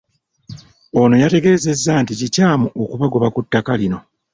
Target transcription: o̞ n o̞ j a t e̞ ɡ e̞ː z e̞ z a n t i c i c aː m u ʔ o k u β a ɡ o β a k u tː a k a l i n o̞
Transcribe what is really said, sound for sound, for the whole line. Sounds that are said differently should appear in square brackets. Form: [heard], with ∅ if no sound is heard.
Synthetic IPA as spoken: o̞ n o̞ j a t e̞ ɡ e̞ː z e̞ [zː] a n t i c i c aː m u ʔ o k u β a ɡ o β a k u tː a k a l i n o̞